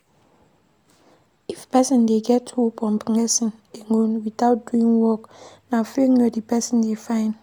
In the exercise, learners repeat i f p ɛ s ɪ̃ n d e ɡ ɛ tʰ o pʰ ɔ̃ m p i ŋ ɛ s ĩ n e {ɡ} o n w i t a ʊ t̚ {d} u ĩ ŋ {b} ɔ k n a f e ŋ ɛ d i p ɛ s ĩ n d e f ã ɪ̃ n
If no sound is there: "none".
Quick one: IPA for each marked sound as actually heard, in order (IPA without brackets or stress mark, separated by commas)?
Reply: ŋ, d, w